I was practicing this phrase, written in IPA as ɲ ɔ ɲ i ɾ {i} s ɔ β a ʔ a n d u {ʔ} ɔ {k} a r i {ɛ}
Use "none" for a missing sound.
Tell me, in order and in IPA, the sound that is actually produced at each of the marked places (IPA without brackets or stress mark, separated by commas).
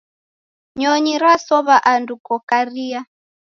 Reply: a, k, k, a